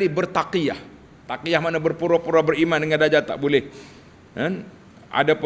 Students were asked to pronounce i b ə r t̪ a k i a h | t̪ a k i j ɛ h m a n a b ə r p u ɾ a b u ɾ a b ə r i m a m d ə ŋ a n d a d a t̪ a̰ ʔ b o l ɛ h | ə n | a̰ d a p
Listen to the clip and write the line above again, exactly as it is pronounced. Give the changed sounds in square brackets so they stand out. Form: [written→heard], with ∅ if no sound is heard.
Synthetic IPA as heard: i b ə r t̪ a k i a h | t̪ a k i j [ɛ→a] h m a n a b ə r p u ɾ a [b→p] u ɾ a b ə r i m a [m→n] d ə ŋ a n d a [d→d͡ʒ] a t̪ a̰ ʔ b o l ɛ h | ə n | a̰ d a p